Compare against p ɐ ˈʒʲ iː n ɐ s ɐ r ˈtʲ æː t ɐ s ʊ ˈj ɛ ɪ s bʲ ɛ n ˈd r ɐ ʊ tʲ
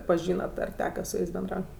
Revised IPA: p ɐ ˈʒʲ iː n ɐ t ɐ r ˈtʲ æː k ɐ s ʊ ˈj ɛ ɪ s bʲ ɛ n ˈd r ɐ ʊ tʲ

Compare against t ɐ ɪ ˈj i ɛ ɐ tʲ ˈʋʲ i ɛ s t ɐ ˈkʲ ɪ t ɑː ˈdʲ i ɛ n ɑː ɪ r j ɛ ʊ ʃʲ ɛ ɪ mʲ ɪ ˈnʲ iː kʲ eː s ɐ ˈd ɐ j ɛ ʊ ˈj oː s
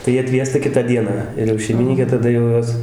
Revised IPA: t ɐ ɪ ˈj i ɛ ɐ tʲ ˈʋʲ i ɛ s t ɐ ˈkʲ ɪ t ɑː ˈdʲ i ɛ n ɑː ɪ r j ɛ ʊ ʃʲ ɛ ɪ mʲ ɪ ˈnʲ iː kʲ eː t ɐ ˈd ɐ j ɛ ʊ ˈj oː s

